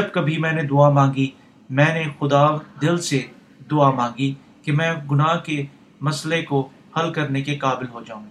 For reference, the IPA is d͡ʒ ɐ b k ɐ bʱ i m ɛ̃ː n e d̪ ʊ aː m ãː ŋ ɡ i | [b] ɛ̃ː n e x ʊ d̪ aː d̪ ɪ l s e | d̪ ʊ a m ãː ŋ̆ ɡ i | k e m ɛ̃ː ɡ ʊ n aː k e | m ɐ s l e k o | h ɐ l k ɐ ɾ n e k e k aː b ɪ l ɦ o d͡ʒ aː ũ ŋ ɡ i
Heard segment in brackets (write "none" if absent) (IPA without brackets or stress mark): m